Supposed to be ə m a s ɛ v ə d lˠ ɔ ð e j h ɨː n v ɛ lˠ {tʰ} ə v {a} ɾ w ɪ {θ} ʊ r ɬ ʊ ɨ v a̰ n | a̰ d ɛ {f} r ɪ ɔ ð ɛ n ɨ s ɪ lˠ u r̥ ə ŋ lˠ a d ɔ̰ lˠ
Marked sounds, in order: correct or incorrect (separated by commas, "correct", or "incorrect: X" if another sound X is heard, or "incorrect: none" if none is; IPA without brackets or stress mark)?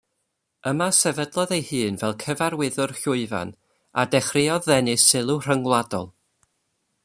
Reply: incorrect: kʰ, correct, incorrect: ð, incorrect: χ